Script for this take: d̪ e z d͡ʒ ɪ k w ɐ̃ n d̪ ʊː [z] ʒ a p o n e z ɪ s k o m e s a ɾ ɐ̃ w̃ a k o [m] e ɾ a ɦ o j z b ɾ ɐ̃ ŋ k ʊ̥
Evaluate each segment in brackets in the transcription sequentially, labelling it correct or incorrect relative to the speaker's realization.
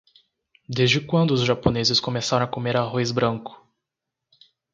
correct, correct

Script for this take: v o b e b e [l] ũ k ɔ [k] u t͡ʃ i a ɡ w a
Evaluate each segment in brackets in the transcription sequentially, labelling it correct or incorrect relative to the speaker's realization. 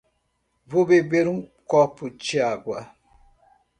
incorrect, incorrect

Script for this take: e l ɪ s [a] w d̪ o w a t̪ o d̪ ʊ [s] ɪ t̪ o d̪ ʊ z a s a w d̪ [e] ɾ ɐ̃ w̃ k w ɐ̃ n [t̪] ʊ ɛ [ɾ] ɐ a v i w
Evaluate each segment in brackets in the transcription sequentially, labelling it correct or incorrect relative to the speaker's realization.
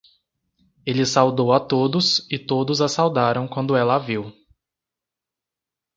correct, correct, incorrect, incorrect, incorrect

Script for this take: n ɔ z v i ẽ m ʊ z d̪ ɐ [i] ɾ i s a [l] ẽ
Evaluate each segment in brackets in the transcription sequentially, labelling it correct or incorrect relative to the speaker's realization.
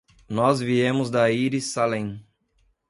correct, correct

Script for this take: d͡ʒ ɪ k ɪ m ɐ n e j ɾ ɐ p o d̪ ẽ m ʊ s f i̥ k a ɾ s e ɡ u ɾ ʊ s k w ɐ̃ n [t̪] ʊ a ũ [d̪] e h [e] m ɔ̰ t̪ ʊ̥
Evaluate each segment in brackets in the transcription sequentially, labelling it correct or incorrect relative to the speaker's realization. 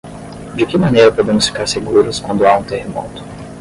incorrect, incorrect, correct

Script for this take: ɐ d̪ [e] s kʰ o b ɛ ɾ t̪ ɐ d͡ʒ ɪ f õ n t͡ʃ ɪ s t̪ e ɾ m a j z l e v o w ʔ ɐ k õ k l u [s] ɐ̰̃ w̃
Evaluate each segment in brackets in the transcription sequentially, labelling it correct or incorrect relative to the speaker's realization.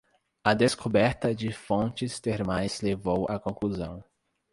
correct, incorrect

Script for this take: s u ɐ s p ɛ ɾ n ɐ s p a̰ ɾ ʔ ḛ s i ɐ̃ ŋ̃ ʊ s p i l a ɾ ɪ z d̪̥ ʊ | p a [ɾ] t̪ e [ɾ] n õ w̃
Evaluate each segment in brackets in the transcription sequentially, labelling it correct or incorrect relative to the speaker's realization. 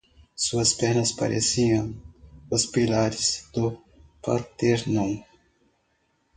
correct, correct

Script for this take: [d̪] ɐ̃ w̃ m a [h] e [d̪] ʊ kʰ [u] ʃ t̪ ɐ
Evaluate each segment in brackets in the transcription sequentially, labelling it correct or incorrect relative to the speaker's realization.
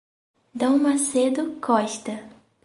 correct, incorrect, correct, incorrect

